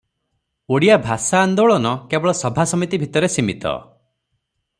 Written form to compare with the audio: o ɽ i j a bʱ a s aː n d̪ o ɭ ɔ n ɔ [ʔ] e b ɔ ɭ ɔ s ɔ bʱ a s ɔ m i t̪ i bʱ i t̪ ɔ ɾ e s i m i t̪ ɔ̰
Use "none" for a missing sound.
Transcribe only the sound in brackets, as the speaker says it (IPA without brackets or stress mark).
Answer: k